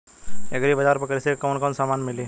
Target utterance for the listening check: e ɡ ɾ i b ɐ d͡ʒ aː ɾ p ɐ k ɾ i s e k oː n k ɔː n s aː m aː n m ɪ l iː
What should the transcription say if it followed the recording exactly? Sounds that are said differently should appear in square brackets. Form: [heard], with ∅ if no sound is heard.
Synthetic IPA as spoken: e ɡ ɾ i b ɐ d͡ʒ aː ɾ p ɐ k ɾ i s e k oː n k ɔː n s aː m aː n m ɪ l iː